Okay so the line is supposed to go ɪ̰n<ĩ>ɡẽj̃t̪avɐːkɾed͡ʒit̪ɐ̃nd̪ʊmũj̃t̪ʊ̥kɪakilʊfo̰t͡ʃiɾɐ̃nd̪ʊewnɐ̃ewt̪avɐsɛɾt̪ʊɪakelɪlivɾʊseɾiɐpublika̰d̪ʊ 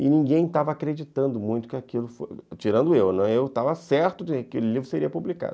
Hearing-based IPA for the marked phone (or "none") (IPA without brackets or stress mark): ĩ